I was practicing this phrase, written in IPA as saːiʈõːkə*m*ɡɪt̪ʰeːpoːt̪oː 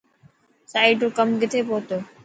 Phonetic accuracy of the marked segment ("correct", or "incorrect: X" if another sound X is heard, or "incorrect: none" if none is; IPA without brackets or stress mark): correct